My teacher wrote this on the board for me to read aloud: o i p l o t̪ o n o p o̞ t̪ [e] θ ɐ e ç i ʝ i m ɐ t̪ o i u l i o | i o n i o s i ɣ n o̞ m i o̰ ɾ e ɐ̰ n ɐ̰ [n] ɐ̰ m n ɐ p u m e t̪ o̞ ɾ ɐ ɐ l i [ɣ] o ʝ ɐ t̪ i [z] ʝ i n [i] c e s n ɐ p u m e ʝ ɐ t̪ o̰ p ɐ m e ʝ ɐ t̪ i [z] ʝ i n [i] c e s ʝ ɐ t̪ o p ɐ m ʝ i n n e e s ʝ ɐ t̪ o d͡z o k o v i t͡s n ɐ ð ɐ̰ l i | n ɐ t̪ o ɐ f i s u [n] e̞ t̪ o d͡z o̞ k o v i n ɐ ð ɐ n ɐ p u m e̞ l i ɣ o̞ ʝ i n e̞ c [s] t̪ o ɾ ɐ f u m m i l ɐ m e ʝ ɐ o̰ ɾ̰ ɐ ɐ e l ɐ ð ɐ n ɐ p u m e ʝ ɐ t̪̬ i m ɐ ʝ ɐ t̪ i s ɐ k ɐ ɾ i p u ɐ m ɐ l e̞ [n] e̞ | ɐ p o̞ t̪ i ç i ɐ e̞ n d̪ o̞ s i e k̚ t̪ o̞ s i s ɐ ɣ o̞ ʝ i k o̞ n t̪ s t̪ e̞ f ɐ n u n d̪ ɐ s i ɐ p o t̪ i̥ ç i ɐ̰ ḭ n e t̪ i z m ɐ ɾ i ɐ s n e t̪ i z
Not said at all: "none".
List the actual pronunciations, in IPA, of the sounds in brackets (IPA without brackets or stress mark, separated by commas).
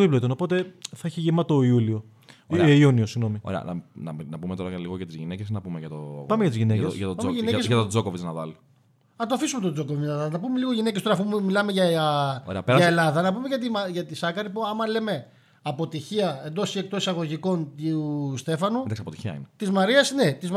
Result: e, n, ɣ, z, e, z, e, m, s, m